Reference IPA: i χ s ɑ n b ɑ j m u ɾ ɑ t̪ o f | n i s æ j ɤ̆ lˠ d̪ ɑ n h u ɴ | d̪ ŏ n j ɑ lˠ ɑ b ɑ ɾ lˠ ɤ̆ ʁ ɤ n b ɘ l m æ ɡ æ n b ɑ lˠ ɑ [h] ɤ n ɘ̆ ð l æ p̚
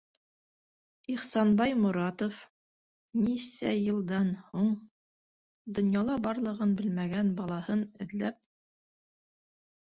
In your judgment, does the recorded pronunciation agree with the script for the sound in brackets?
yes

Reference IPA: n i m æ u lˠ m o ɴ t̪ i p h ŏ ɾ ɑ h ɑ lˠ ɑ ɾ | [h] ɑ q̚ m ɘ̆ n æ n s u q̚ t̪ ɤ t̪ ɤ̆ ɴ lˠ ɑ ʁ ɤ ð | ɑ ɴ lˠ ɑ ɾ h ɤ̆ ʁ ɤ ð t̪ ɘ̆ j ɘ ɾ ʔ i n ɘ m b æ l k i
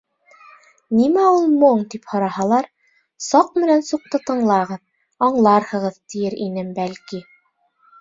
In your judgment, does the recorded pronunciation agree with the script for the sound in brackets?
no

